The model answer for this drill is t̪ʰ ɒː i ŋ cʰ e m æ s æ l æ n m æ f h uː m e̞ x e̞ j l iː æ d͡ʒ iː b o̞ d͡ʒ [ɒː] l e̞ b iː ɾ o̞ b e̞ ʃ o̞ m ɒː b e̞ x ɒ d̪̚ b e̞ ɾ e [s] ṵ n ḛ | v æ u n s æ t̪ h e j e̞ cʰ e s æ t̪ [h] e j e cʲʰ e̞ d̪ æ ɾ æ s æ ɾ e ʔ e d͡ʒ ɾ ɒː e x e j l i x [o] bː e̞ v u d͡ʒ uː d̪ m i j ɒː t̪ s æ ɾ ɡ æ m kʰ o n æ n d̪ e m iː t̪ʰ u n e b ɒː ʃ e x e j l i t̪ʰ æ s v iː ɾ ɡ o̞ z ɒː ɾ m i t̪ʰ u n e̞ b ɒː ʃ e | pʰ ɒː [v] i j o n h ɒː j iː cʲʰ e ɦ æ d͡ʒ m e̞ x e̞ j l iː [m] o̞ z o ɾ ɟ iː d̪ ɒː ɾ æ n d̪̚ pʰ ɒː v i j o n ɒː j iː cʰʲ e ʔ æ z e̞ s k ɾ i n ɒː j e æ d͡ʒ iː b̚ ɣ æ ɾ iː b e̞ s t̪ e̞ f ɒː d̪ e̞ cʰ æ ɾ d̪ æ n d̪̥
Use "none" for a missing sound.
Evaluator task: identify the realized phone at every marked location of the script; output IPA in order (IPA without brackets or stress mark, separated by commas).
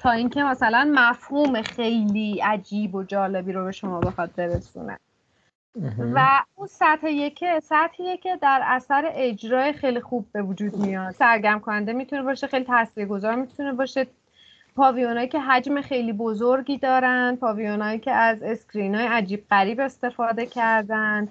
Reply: ɒː, s, h, u, v, b